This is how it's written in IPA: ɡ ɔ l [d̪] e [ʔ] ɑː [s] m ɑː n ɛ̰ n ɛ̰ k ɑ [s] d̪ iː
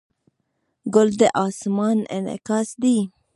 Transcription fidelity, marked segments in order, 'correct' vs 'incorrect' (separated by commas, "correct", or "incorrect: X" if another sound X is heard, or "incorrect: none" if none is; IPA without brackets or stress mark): correct, correct, correct, correct